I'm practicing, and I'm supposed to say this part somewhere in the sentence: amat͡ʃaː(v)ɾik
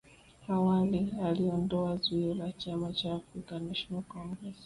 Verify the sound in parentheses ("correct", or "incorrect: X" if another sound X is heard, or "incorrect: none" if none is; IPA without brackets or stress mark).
incorrect: f